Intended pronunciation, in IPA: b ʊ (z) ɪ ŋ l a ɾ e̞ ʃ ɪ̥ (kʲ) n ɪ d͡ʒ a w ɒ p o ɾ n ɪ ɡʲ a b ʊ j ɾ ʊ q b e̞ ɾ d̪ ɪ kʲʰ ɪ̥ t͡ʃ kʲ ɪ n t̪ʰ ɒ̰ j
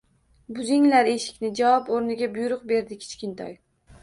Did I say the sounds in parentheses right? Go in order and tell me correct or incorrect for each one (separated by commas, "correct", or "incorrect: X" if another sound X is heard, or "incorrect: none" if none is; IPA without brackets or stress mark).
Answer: correct, correct